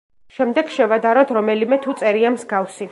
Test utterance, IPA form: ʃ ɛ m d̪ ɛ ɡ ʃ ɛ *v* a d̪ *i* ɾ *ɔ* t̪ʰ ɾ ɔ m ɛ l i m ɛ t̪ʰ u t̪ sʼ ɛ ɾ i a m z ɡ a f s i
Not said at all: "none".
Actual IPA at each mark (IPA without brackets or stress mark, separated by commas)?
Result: v, a, ɔ